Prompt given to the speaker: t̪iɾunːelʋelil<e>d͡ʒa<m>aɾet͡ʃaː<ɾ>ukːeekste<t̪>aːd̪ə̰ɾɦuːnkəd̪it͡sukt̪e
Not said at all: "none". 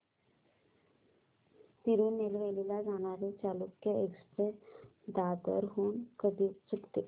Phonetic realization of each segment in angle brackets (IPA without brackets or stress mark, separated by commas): a, n, l, d̪